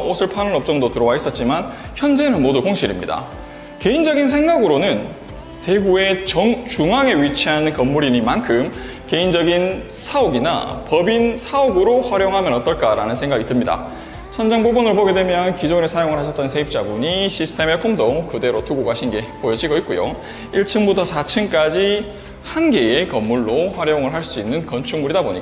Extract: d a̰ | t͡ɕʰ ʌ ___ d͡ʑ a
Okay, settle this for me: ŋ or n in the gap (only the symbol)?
n